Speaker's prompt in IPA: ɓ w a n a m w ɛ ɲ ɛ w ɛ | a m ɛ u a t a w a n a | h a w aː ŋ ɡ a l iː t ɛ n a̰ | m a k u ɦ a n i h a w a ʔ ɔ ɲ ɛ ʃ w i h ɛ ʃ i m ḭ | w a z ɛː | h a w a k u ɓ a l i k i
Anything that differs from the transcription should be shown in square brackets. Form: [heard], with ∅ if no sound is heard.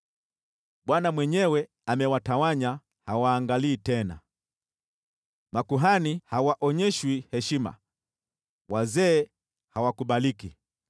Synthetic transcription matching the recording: ɓ w a n a m w ɛ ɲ ɛ w ɛ | a m ɛ [w] a t a w a [ɲ] a | h a w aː ŋ ɡ a l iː t ɛ n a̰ | m a k u ɦ a n i h a w a ʔ ɔ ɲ ɛ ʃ w i h ɛ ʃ i m [a̰] | w a z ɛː | h a w a k u ɓ a l i k i